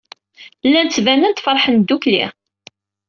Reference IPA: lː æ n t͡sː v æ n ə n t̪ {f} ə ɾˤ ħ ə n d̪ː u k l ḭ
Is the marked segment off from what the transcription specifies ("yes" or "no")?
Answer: no